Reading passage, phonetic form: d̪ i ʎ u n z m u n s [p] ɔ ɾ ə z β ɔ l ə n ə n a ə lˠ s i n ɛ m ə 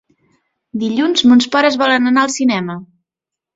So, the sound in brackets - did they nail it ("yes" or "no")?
yes